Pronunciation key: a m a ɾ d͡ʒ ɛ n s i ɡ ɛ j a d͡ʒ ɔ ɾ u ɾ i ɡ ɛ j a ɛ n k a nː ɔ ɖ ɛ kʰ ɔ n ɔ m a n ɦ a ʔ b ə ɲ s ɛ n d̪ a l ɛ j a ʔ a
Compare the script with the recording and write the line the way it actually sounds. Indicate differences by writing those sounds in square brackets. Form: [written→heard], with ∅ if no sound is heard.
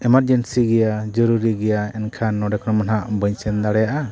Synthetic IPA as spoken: [a→ɛ] m a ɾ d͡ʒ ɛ n s i ɡ ɛ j a d͡ʒ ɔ ɾ u ɾ i ɡ ɛ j a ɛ n [k→kʰ] a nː ɔ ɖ ɛ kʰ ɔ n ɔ m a n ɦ a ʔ b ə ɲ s ɛ n d̪ a [l→ɽ] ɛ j a ʔ a